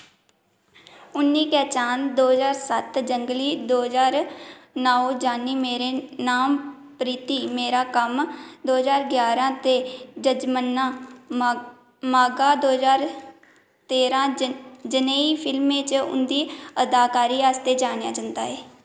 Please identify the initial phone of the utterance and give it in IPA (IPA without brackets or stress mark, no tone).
ʊ